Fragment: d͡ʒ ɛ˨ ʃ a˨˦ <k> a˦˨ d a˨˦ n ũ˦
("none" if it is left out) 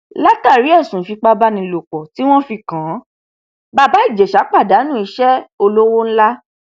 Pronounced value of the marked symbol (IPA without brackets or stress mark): k͡p